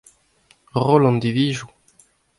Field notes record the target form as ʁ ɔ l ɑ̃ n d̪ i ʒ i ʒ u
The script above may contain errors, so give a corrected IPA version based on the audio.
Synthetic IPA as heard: ʁ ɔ l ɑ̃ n d̪ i v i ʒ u